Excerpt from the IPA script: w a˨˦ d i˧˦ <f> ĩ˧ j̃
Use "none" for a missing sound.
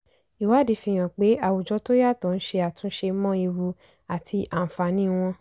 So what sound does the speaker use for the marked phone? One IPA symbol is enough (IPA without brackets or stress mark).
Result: f